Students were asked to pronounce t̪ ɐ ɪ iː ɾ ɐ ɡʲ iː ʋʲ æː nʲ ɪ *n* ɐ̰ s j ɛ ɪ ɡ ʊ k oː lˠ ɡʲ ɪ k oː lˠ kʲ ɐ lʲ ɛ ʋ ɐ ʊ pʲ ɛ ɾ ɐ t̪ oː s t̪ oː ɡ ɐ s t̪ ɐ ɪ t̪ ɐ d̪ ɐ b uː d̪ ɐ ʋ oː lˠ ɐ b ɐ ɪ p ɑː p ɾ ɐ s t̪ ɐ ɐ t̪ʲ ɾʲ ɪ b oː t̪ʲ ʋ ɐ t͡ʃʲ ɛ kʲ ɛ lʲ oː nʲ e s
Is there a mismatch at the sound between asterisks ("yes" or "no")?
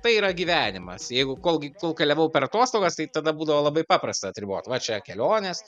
yes